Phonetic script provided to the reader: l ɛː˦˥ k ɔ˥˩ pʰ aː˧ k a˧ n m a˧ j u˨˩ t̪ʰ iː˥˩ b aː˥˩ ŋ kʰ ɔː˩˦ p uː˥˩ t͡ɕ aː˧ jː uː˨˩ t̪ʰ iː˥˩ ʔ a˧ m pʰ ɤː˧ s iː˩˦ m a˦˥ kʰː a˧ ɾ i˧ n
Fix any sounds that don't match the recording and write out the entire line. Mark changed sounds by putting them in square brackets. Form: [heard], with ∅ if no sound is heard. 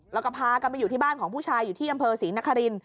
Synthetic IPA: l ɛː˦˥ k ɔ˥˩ pʰ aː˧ k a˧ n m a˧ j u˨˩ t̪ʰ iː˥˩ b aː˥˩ [n] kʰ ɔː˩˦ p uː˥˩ [t͡ɕʰ] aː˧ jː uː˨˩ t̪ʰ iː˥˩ ʔ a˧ m pʰ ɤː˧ s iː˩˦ [n] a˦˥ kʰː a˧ ɾ i˧ n